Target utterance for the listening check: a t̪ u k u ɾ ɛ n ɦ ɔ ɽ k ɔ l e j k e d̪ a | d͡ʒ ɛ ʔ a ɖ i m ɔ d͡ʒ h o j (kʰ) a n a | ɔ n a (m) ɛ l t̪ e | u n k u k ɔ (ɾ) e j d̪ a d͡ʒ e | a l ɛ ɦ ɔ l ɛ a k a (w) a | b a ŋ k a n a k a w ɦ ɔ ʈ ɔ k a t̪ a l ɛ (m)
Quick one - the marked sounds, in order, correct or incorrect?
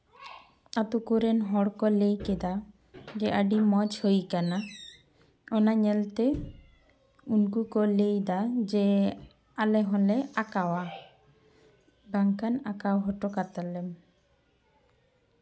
incorrect, incorrect, incorrect, correct, correct

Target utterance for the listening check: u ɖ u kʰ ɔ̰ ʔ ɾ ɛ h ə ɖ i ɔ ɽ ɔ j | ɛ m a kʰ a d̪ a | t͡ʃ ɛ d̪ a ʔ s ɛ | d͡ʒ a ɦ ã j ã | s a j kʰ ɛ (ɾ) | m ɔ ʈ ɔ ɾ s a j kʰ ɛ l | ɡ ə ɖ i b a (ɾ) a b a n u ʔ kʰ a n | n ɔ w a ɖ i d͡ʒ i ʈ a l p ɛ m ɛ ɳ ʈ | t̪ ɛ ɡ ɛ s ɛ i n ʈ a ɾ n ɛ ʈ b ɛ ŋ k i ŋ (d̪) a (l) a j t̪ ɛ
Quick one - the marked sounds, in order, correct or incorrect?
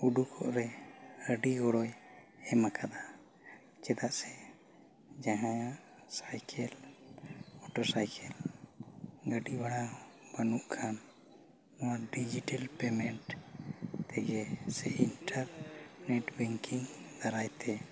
incorrect, incorrect, correct, incorrect

